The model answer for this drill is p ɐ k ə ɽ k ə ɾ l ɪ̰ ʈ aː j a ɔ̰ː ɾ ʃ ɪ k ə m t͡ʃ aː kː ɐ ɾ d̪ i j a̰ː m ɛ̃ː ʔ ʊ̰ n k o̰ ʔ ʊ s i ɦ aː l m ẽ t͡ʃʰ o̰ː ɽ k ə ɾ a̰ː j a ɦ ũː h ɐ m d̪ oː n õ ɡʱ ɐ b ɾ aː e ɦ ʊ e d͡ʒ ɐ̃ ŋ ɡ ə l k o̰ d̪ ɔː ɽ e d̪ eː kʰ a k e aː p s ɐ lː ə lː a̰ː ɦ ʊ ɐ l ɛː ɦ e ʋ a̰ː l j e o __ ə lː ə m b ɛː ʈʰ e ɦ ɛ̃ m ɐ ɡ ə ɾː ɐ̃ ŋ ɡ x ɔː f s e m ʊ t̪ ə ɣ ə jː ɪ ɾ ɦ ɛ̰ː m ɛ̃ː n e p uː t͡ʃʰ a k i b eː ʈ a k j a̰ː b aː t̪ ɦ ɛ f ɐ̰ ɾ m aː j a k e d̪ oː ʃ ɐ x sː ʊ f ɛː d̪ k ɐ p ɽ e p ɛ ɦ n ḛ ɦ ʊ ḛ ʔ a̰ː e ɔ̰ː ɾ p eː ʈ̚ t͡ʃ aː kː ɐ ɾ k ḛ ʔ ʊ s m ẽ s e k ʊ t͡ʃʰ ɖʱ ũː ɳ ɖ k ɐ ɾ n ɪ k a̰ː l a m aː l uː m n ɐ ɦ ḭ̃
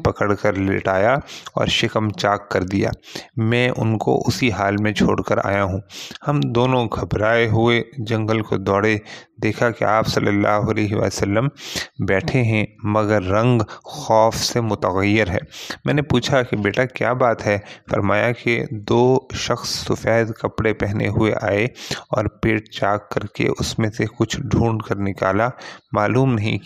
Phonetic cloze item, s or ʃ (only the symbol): s